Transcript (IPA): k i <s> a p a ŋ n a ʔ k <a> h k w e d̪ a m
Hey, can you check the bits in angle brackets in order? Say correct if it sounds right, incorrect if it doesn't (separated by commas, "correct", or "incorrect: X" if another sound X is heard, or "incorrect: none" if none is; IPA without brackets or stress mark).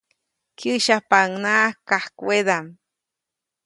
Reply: incorrect: ʃ, correct